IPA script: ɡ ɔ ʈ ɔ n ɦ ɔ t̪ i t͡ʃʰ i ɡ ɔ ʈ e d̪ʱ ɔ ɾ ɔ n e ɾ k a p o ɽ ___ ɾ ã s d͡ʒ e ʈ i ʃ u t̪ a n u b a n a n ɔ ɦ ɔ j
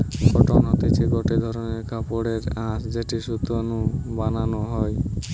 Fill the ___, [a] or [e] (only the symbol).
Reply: e